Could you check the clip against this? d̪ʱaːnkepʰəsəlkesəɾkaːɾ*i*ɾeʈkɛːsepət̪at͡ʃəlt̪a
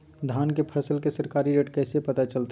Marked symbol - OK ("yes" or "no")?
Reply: yes